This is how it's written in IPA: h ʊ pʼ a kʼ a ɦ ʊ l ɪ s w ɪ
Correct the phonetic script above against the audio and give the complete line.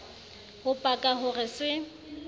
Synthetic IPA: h ʊ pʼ a kʼ a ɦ ʊ r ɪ s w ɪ